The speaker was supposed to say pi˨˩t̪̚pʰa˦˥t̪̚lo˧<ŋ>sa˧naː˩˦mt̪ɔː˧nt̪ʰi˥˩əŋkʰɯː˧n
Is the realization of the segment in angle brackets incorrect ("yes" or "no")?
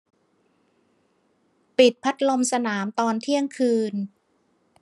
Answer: yes